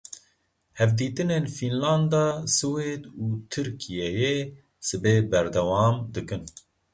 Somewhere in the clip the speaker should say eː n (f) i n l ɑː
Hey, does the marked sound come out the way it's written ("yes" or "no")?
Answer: yes